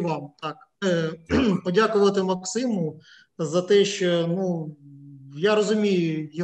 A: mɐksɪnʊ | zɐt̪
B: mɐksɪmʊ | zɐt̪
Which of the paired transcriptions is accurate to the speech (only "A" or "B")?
B